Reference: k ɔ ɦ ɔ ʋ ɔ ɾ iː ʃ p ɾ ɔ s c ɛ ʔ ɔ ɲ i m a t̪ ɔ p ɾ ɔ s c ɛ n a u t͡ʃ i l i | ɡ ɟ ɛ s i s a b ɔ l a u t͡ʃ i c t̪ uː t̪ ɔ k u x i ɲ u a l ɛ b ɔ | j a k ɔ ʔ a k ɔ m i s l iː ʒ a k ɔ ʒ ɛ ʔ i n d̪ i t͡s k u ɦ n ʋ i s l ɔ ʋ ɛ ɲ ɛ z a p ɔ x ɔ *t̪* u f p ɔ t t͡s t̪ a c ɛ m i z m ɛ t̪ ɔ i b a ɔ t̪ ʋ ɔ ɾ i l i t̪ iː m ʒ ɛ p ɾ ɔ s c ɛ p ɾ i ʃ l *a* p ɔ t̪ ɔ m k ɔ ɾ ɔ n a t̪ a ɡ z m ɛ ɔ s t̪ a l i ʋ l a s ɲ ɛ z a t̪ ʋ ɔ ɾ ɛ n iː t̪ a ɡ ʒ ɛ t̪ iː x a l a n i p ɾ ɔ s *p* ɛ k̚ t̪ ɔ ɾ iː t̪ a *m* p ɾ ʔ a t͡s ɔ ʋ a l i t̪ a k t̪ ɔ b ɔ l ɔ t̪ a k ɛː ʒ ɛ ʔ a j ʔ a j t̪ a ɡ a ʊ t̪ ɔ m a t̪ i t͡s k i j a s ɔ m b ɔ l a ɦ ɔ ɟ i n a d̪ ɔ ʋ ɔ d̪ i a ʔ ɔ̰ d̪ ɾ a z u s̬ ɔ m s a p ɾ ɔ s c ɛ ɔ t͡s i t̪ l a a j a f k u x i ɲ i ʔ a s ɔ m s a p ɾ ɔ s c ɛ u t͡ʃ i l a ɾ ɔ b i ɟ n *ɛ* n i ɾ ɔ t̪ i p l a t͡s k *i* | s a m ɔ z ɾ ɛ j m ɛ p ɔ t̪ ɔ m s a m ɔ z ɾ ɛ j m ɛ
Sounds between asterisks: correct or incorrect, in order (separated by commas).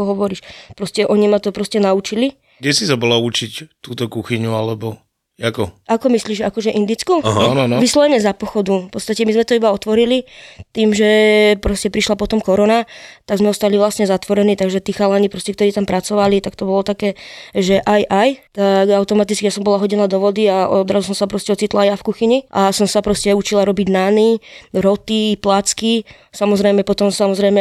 incorrect, correct, incorrect, correct, incorrect, correct